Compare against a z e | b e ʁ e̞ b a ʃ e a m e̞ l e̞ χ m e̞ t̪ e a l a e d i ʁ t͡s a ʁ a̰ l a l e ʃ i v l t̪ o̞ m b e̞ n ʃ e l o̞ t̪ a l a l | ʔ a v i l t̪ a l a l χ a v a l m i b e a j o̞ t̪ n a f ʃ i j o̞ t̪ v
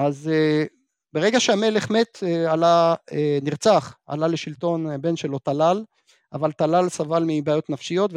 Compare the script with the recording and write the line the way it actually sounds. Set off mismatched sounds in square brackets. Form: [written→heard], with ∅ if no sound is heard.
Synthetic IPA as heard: a z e | b e ʁ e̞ [b→ɡ] a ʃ e a m e̞ l e̞ χ m e̞ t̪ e a l a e [d→n] i ʁ t͡s a [ʁ→χ] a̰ l a l e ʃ i [v→∅] l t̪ o̞ [m→n] b e̞ n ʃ e l o̞ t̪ a l a l | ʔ a v [i→a] l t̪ a l a l [χ→s] a v a l m i b e a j o̞ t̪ n a f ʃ i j o̞ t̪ v